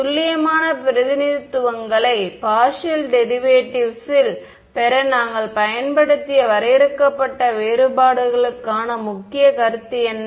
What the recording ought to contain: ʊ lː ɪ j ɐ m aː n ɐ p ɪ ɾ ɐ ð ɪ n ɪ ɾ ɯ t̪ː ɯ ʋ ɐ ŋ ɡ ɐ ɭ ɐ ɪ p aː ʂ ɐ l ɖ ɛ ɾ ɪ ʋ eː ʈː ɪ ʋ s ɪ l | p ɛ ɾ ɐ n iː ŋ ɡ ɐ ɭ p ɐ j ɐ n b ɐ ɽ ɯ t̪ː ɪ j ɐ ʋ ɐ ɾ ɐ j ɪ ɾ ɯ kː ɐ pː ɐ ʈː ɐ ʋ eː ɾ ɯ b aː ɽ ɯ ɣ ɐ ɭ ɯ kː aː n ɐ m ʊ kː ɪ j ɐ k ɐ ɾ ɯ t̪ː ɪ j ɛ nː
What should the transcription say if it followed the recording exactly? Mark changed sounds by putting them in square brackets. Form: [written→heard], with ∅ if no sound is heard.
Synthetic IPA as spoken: ʊ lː ɪ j ɐ m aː n ɐ p ɪ ɾ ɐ ð ɪ n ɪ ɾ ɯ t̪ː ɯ ʋ ɐ ŋ ɡ ɐ ɭ ɐ ɪ p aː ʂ ɐ l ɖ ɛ ɾ ɪ ʋ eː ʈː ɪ ʋ s ɪ l | p ɛ ɾ ɐ n [iː→aː] ŋ ɡ ɐ ɭ p ɐ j ɐ n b ɐ ɽ ɯ t̪ː ɪ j ɐ ʋ ɐ ɾ ɐ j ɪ ɾ ɯ kː ɐ pː ɐ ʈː ɐ ʋ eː ɾ ɯ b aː ɽ ɯ ɣ ɐ ɭ ɯ kː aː n ɐ m ʊ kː ɪ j ɐ k ɐ ɾ ɯ t̪ː ɪ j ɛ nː